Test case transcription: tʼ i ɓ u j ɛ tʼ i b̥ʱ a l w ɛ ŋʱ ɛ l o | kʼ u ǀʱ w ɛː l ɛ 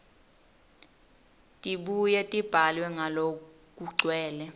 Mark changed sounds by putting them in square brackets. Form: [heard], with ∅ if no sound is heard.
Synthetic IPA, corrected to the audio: tʼ i ɓ u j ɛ tʼ i b̥ʱ a l w ɛ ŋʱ [a] l o | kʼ u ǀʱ w ɛː l ɛ

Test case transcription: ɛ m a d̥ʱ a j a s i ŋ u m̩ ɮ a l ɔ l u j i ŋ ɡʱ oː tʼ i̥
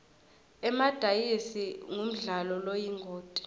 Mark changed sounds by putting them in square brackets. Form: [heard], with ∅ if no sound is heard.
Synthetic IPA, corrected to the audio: ɛ m a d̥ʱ a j [i] s i ŋ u m̩ ɮ a l ɔ l [o] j i ŋ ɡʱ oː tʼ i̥

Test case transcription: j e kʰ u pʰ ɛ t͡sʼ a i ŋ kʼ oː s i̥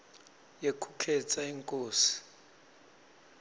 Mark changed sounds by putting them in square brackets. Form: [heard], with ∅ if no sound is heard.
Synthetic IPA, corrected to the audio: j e kʰ u [kʰ] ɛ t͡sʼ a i ŋ kʼ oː s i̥

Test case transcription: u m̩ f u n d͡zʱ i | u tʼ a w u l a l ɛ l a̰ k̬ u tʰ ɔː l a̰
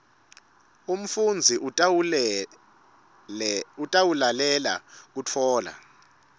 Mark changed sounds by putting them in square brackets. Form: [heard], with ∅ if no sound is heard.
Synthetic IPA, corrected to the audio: u m̩ f u n d͡zʱ i | u tʼ a w u l a l ɛ l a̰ k̬ u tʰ ɔː l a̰

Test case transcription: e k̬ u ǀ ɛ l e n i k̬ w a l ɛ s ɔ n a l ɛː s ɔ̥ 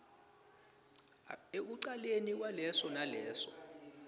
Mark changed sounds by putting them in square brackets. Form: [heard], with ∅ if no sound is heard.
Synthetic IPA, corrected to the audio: e k̬ u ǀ [a] l e n i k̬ w a l ɛ s ɔ n a l ɛː s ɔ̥

